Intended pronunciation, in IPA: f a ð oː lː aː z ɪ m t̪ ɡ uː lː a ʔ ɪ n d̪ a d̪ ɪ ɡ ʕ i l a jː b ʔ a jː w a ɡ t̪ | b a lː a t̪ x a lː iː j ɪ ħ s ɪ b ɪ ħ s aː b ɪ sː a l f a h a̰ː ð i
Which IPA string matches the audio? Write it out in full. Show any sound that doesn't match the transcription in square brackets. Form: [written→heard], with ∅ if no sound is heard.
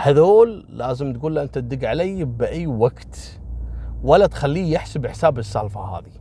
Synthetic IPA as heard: [f→h] a ð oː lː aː z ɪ m t̪ ɡ uː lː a ʔ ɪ n [d̪→t̪] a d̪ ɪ ɡ ʕ [i→a] l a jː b ʔ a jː w a ɡ t̪ | [b→w] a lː a t̪ x a lː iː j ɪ ħ s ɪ b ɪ ħ s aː b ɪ sː a l f a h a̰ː ð i